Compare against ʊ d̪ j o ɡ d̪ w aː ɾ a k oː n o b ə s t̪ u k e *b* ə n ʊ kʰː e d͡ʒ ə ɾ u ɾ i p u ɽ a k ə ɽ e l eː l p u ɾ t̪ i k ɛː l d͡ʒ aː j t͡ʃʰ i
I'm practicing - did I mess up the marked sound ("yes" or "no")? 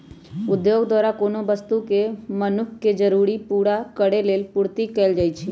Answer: yes